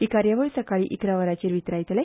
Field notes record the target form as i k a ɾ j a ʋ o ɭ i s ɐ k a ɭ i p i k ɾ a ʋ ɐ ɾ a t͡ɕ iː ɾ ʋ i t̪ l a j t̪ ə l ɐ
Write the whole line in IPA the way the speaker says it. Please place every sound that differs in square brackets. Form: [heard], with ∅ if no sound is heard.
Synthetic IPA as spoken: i k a ɾ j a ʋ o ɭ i s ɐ k a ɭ i [ʔ] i k ɾ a ʋ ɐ ɾ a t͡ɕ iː ɾ ʋ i t̪ [ɾ] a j t̪ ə l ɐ